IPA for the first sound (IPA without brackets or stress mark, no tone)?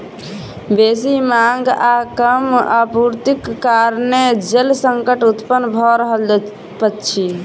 b